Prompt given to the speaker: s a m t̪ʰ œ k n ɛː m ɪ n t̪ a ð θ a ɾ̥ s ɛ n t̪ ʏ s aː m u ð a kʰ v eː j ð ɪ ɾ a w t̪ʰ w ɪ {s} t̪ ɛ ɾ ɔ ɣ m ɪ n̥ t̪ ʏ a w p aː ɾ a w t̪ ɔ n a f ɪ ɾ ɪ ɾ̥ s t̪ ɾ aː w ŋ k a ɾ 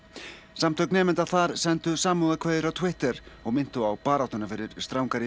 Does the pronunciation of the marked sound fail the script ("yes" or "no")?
yes